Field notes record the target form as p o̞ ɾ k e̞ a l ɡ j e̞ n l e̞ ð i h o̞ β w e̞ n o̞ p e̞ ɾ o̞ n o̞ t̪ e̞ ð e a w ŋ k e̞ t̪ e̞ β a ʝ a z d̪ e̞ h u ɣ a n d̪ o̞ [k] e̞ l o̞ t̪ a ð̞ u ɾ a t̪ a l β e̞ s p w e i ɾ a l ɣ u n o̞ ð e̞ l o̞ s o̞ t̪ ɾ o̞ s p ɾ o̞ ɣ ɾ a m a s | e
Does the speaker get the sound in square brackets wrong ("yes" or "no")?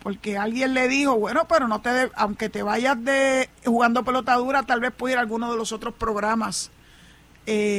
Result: yes